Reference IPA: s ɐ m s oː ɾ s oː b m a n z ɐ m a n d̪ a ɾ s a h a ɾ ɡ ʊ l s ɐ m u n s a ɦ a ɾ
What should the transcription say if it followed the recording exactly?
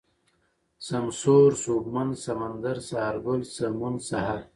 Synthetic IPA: s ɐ m s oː ɾ s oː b m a n s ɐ m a n d̪ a ɾ s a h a ɾ ɡ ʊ l s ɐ m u n s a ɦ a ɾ